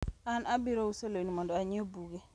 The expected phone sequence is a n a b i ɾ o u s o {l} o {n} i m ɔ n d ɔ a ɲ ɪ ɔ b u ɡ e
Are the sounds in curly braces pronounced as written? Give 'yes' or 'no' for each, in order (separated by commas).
yes, yes